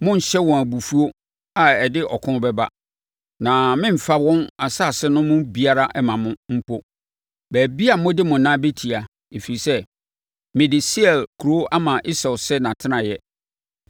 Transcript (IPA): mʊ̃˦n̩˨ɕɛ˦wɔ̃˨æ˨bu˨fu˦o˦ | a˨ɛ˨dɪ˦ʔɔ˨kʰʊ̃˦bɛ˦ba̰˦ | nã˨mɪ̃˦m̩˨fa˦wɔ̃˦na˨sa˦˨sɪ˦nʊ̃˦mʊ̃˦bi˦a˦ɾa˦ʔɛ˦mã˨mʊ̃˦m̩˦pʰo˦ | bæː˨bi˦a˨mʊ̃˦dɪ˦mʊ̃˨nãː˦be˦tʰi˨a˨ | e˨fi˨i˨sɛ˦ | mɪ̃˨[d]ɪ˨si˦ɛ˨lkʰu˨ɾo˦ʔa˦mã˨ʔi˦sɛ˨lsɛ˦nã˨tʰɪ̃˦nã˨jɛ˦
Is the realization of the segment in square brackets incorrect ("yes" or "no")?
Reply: no